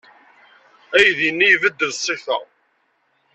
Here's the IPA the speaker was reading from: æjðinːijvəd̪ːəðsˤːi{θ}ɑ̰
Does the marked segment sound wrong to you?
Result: no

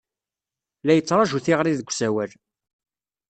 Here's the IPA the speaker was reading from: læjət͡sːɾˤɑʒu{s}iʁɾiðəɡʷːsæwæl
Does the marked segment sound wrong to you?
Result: yes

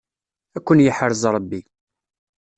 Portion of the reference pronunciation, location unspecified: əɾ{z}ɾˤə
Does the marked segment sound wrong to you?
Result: no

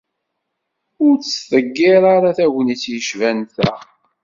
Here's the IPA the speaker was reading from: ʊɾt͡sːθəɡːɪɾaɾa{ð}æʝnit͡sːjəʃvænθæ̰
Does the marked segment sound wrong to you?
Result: yes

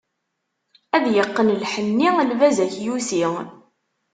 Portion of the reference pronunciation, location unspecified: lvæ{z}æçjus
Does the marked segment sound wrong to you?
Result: no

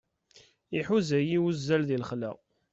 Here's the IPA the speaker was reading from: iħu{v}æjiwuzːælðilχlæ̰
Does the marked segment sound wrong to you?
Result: yes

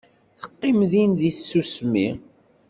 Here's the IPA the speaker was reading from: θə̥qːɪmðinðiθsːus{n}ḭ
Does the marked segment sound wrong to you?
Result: yes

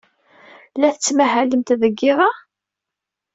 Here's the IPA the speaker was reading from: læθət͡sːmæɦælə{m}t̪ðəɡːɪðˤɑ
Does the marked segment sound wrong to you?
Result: no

